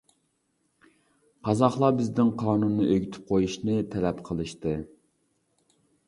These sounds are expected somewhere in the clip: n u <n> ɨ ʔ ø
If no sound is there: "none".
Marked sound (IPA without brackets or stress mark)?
nː